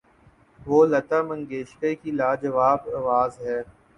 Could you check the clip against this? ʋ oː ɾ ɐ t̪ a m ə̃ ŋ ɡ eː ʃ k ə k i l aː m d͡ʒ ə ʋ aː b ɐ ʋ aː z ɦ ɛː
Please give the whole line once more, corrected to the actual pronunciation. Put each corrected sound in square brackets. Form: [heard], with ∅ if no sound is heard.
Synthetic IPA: ʋ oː [l] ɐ t̪ a m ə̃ ŋ ɡ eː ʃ k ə k i l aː [∅] d͡ʒ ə ʋ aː b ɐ ʋ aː z ɦ ɛː